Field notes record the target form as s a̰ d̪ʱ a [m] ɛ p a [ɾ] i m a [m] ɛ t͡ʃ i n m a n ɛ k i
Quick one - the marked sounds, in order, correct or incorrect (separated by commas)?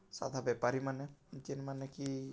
incorrect, correct, incorrect